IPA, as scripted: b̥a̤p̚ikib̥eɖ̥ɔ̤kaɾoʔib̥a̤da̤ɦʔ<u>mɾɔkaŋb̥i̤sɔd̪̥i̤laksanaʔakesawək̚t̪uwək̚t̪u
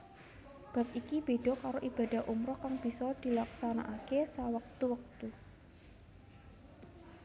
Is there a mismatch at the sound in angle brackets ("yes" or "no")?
no